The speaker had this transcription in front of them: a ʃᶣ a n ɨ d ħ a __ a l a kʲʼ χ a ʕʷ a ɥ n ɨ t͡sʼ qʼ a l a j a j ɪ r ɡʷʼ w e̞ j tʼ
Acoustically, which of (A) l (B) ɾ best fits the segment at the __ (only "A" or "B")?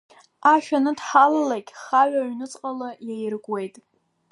A